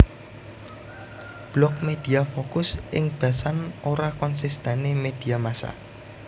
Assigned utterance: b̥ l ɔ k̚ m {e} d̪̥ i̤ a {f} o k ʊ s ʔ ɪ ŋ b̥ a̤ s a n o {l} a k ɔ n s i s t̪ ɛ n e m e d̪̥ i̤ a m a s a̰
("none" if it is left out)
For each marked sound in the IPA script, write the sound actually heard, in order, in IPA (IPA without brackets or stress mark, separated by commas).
e, f, ɾ